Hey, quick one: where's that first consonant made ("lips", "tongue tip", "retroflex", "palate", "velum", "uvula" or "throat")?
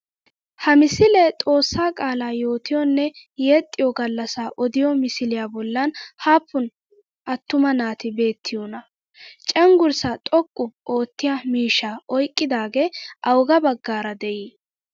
throat